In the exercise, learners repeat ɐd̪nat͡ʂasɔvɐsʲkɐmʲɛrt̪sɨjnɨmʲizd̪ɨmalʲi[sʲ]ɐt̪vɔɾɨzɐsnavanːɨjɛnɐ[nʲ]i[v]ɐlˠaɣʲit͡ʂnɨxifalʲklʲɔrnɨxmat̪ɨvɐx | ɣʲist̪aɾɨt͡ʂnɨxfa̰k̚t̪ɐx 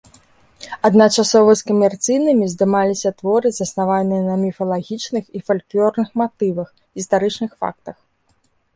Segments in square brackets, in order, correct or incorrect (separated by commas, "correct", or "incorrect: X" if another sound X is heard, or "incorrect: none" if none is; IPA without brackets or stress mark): correct, incorrect: mʲ, incorrect: f